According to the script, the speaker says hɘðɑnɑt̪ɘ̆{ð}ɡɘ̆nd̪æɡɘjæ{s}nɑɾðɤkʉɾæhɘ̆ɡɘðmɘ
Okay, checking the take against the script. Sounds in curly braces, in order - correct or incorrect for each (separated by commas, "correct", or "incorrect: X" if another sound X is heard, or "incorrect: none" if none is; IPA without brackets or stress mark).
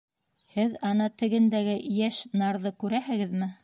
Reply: incorrect: none, incorrect: ʃ